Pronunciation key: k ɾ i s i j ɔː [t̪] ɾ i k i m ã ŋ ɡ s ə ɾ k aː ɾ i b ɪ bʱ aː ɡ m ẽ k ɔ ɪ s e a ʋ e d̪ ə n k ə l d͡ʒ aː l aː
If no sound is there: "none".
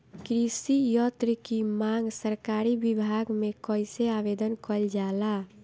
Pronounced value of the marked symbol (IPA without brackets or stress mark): t̪